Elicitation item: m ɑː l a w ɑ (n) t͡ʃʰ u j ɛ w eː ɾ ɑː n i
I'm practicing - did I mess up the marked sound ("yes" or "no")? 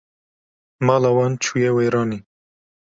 no